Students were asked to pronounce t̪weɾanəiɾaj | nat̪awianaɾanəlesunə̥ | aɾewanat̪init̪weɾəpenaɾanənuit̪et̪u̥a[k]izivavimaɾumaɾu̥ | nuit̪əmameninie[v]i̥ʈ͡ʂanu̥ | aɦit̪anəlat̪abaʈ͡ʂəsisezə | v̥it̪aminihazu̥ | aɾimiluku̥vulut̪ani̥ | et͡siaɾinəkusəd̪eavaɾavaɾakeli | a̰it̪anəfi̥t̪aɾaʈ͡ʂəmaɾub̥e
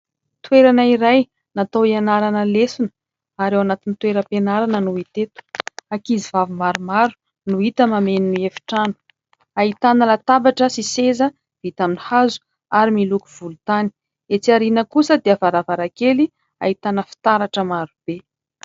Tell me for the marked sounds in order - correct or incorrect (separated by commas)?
correct, incorrect